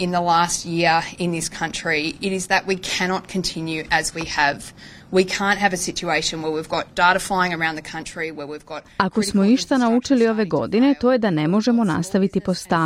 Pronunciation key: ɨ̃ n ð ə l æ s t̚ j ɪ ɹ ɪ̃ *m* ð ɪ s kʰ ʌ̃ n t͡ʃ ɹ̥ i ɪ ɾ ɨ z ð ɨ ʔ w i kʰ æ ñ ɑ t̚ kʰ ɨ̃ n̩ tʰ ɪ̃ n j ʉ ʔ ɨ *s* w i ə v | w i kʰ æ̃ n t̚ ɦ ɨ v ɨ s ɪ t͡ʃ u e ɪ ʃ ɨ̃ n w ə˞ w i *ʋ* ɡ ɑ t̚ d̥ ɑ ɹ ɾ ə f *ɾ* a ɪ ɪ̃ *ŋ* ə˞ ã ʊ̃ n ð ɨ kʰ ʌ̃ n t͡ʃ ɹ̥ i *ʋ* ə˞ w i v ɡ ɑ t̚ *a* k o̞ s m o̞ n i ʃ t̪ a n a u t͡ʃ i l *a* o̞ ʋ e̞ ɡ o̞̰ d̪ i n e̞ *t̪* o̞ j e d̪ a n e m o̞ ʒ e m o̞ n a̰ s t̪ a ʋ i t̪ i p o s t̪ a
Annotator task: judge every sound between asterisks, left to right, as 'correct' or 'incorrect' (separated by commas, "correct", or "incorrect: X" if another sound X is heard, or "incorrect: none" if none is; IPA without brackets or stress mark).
incorrect: n, incorrect: z, incorrect: v, incorrect: l, correct, incorrect: w, correct, incorrect: i, correct